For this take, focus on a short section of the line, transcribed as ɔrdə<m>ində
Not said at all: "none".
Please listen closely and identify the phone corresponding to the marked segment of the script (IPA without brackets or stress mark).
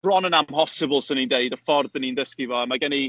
n